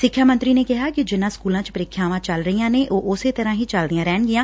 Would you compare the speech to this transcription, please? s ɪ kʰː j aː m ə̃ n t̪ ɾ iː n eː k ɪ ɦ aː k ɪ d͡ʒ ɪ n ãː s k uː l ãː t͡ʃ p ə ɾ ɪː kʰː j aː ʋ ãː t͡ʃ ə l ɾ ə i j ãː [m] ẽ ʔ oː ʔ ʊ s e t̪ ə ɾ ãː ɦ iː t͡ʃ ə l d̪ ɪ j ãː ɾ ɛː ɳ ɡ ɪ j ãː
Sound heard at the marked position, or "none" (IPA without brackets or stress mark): n